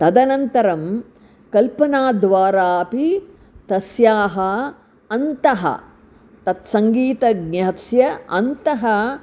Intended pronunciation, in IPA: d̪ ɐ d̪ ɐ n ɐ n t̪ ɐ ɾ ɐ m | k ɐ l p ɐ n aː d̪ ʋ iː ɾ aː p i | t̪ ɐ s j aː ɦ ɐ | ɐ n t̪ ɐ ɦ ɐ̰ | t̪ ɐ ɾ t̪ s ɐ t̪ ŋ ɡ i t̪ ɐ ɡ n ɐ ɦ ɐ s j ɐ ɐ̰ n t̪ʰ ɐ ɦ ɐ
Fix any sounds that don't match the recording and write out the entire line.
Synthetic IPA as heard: t̪ ɐ d̪ ɐ n ɐ n t̪ ɐ ɾ ɐ m | k ɐ l p ɐ n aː d̪ ʋ aː ɾ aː p i | t̪ ɐ s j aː ɦ ɐ | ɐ n t̪ ɐ ɦ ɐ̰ | t̪ ɐ t̪ s ɐ ŋ ɡ iː t̪ ɐ ɡ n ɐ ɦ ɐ s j ɐ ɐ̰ n t̪ ɐ ɦ ɐ